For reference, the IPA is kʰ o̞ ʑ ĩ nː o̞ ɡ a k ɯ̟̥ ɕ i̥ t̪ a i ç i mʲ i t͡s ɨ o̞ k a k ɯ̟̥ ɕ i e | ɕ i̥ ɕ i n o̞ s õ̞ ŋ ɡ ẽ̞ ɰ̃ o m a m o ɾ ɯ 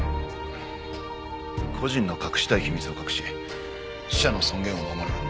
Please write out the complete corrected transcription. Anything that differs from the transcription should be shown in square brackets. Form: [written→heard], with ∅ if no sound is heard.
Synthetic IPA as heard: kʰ o̞ ʑ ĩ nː o̞ [ɡ→k] a k ɯ̟̥ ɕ i̥ t̪ a i ç i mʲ i t͡s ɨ o̞ k a k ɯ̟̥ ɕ i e | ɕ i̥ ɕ [i→a] n o̞ s õ̞ ŋ ɡ ẽ̞ ɰ̃ o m a m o ɾ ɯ